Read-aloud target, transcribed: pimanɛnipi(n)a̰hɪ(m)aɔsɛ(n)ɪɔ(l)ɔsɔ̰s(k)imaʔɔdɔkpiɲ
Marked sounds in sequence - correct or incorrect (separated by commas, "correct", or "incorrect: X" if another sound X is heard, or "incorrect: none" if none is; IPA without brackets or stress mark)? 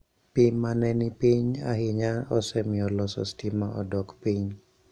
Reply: incorrect: ɲ, incorrect: ɲ, incorrect: m, correct, incorrect: t